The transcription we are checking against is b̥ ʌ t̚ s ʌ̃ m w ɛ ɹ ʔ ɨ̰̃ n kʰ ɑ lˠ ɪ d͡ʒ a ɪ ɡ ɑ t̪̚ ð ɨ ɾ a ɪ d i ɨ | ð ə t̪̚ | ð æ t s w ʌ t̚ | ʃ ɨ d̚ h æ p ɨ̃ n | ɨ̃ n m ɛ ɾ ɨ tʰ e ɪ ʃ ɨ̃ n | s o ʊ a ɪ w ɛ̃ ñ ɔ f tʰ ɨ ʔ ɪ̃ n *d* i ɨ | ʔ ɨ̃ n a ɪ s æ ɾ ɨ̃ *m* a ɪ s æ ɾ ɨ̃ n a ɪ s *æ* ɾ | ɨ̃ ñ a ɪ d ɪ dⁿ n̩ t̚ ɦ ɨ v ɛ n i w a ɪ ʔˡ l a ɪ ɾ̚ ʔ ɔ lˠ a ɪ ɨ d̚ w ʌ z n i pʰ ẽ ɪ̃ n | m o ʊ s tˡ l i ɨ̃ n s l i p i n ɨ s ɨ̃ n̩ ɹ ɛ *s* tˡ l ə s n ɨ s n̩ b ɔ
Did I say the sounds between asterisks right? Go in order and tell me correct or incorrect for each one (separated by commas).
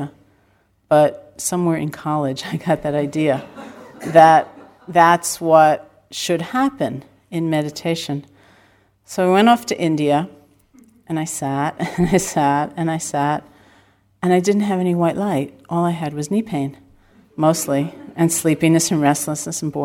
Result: correct, incorrect, correct, correct